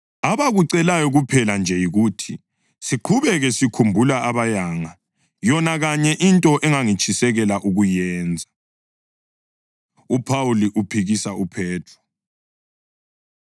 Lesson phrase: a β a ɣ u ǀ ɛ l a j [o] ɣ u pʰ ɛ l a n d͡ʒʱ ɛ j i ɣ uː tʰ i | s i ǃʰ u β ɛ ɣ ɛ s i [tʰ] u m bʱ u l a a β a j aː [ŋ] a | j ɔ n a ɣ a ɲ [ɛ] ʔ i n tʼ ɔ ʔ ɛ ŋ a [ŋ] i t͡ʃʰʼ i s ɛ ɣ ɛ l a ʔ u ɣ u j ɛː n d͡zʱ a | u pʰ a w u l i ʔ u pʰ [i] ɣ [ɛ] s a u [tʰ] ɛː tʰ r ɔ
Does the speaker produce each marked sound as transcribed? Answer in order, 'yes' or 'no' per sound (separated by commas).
no, no, yes, yes, yes, yes, no, no